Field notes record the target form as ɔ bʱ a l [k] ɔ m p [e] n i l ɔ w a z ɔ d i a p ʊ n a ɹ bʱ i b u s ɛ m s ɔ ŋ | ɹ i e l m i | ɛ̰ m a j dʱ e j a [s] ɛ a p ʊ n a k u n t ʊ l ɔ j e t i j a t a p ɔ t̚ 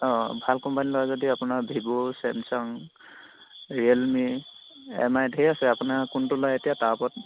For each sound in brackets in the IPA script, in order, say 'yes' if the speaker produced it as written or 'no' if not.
yes, no, yes

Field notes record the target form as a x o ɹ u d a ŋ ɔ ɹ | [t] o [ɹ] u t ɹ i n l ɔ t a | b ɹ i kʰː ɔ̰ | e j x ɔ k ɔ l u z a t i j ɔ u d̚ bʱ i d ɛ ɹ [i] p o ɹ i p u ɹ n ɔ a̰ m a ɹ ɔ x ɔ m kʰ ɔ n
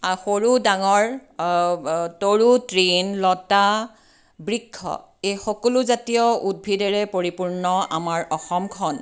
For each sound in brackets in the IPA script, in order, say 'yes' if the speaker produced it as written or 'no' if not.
yes, yes, no

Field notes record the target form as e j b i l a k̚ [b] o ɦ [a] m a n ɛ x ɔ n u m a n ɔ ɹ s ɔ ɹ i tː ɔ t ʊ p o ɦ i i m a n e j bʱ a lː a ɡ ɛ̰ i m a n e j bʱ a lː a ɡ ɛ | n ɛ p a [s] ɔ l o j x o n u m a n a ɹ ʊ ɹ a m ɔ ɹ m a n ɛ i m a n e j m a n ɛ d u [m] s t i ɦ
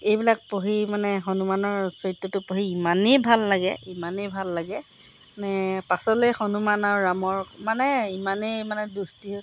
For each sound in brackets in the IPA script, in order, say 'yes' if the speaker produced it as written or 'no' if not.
no, no, yes, no

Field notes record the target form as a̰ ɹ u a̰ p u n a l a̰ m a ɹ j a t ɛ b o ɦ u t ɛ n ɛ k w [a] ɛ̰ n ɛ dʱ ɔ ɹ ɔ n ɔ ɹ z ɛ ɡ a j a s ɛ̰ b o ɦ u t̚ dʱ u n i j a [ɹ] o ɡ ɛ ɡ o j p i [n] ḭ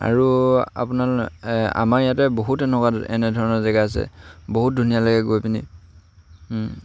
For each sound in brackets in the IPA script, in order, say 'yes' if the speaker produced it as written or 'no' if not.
yes, no, yes

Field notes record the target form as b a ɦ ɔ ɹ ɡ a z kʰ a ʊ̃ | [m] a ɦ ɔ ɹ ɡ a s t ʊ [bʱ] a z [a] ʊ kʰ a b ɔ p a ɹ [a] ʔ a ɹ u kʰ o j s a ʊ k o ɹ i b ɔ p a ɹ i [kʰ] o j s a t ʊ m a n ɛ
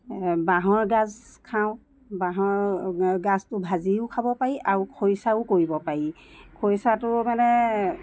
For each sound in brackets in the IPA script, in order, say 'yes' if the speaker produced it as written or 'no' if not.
no, yes, no, no, yes

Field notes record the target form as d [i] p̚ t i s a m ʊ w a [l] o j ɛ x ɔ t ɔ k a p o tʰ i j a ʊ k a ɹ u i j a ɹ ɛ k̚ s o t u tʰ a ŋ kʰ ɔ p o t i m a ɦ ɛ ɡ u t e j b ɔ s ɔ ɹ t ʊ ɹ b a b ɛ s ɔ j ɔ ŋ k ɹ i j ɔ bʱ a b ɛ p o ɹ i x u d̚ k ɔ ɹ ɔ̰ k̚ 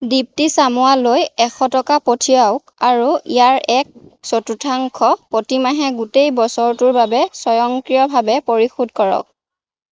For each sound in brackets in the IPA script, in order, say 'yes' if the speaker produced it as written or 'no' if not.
yes, yes

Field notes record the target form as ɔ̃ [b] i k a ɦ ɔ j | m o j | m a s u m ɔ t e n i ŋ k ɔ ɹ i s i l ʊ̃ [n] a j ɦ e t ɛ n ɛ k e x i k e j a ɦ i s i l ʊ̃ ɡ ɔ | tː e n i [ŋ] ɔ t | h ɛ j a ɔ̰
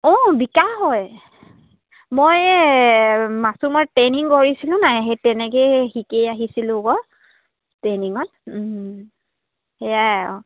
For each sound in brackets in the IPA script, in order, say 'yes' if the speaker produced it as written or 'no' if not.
yes, yes, yes

